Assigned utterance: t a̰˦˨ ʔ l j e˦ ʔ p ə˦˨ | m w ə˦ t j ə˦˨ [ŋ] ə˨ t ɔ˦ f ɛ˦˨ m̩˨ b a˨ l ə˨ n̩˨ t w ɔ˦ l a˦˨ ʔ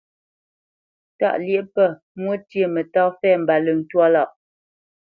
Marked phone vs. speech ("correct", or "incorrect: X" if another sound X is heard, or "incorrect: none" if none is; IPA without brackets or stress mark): incorrect: m